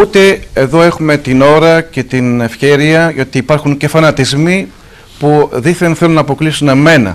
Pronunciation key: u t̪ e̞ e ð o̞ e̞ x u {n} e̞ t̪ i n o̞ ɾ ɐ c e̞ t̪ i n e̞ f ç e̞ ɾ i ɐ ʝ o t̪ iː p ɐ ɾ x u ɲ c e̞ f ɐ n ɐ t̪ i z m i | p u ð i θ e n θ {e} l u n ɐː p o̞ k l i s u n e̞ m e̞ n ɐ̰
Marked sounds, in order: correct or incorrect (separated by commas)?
incorrect, correct